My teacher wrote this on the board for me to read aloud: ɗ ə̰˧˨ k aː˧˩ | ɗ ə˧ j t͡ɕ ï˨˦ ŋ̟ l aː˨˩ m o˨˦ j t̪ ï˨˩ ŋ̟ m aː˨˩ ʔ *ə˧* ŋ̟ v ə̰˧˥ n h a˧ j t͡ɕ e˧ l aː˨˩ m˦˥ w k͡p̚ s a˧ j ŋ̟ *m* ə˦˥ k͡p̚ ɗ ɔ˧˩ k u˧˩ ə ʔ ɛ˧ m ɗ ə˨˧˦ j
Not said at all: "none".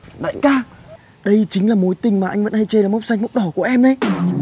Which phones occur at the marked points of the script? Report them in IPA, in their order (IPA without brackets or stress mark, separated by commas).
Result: a˧, m